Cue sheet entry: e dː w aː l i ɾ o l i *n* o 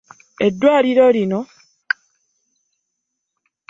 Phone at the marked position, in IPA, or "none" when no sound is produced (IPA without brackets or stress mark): n